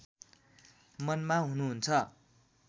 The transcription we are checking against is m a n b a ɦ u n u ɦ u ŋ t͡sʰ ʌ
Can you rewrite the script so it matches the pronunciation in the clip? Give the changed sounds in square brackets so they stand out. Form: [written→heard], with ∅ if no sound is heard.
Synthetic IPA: m [a→ʌ] n [b→m] a ɦ u n u ɦ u [ŋ→n] t͡sʰ ʌ